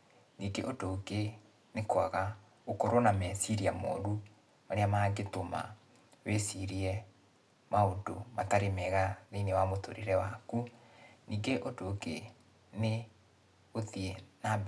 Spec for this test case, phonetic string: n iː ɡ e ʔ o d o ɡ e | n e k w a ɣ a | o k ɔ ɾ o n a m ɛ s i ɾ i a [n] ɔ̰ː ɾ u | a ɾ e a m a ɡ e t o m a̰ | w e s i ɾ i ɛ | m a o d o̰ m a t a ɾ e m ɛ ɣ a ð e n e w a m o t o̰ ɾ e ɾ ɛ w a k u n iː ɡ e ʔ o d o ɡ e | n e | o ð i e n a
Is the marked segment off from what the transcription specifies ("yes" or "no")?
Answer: yes